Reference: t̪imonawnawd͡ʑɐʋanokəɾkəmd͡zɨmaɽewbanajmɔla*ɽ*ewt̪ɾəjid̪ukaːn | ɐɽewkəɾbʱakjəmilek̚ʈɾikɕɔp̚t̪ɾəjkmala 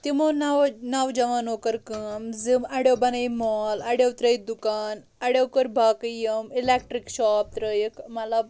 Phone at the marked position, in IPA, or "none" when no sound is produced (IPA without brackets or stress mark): ɽ